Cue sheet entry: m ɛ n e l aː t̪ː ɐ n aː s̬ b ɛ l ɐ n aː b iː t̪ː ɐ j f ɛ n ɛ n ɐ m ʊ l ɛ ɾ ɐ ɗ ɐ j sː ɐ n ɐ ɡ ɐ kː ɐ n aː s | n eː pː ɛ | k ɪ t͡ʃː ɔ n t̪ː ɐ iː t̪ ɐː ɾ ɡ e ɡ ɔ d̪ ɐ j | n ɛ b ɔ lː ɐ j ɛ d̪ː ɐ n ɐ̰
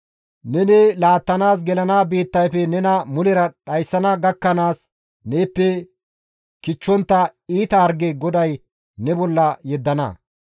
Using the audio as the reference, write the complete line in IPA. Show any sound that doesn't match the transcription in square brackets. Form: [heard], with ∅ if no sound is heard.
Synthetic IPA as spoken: [n] ɛ n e l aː t̪ː ɐ n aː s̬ [ɡ] ɛ l ɐ n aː b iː t̪ː ɐ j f ɛ n ɛ n ɐ m ʊ l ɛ ɾ ɐ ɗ ɐ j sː ɐ n ɐ ɡ ɐ kː ɐ n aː s | n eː pː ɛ | k ɪ t͡ʃː ɔ n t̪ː ɐ iː t̪ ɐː ɾ ɡ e ɡ ɔ d̪ ɐ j | n ɛ b ɔ lː ɐ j ɛ d̪ː ɐ n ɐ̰